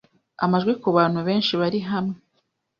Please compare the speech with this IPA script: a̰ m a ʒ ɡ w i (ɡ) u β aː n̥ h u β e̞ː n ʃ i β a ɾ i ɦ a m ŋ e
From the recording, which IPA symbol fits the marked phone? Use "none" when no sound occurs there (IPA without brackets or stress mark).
k